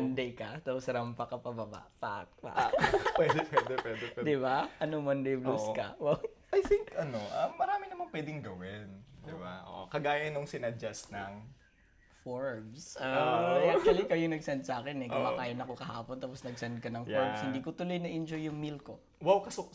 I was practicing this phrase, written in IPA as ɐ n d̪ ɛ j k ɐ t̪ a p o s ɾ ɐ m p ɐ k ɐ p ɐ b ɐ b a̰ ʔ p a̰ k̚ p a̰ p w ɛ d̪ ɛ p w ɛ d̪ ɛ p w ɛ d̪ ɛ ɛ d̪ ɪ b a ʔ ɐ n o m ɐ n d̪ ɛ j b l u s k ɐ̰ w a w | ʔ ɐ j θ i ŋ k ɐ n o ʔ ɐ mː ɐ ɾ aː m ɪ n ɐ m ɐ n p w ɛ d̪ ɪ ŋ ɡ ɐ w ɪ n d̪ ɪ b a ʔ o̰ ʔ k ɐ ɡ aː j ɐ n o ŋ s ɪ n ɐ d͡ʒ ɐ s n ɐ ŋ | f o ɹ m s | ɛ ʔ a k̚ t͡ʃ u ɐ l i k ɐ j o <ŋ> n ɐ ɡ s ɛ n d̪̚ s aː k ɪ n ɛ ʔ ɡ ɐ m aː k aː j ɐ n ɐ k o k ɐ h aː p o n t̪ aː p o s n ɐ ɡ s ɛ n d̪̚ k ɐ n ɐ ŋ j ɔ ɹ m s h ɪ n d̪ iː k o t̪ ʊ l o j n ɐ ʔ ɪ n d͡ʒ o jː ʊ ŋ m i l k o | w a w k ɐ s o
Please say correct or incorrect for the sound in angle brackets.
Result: correct